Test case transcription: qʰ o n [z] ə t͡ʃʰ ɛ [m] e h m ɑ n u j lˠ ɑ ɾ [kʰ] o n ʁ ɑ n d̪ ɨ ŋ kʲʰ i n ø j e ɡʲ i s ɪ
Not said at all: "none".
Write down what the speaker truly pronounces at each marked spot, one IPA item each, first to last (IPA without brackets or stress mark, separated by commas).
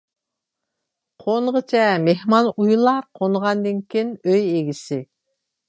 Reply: ʁ, m, qʰ